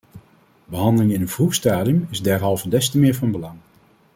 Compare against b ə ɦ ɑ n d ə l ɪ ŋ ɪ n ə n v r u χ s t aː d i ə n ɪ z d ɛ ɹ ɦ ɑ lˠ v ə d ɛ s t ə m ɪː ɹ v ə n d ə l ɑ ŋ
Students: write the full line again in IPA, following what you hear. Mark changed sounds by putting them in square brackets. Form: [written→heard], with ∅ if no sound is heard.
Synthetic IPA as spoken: b ə ɦ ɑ n d ə l ɪ ŋ ɪ n ə n v r u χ s t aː d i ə [n→m] ɪ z d ɛ ɹ ɦ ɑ lˠ v ə d ɛ s t ə m ɪː ɹ v [ə→ɑ] n [d→b] ə l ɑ ŋ